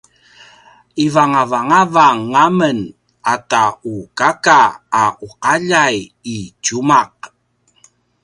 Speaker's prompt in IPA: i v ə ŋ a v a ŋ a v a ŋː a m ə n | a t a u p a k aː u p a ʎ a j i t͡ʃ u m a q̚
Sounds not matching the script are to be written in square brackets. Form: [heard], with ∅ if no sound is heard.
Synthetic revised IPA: i v [a] ŋ a v a ŋ a v a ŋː a m ə n | a t a u [k] a k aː u [q] a ʎ a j i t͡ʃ u m a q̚